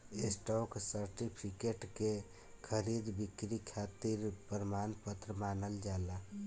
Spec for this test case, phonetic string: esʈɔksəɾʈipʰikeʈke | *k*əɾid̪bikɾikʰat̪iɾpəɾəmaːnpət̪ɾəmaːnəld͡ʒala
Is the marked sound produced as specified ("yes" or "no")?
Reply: no